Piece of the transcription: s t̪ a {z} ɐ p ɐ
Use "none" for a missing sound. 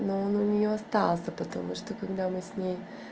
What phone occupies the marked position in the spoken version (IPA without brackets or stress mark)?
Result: s